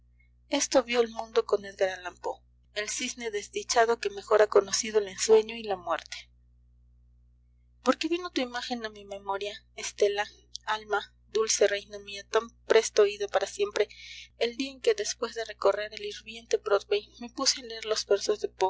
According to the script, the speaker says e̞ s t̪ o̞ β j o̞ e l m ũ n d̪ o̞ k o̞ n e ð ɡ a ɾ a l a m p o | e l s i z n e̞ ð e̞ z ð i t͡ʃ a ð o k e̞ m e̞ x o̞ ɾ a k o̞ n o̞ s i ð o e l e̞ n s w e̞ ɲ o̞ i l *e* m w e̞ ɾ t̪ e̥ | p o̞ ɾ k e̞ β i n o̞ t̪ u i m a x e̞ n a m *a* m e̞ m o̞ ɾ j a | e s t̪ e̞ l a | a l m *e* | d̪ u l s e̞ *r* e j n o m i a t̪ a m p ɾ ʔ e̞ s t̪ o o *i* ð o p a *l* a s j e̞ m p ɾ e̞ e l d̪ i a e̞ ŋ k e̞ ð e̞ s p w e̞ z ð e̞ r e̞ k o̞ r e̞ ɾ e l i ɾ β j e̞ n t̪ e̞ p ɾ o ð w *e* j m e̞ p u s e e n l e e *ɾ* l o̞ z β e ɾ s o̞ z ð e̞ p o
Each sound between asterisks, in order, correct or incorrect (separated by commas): incorrect, incorrect, incorrect, correct, correct, incorrect, correct, correct